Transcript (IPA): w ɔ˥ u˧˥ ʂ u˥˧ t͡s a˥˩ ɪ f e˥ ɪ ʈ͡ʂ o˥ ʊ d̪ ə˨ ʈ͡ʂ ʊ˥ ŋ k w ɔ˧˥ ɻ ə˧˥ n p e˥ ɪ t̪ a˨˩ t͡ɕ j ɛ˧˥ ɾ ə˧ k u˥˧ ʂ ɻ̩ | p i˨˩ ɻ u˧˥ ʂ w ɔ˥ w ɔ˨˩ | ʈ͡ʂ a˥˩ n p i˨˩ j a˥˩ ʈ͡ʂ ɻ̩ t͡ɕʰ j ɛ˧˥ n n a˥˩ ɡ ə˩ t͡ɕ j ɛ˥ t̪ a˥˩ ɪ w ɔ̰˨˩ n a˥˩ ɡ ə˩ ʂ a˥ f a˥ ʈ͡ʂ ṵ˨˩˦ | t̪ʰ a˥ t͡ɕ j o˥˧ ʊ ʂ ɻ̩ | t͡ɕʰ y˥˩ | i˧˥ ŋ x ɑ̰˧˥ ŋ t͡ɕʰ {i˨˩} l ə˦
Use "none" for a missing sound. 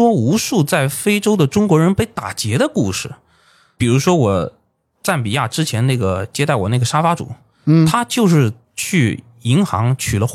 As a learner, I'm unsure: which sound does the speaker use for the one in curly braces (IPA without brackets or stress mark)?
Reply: y˨˩